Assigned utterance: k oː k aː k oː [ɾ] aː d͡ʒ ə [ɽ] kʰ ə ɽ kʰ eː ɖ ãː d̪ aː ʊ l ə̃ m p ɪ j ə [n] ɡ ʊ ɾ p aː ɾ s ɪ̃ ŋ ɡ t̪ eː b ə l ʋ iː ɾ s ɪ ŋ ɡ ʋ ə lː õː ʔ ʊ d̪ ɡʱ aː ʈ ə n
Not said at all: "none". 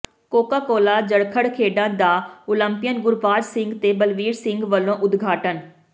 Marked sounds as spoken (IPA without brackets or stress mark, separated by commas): l, ɽ, n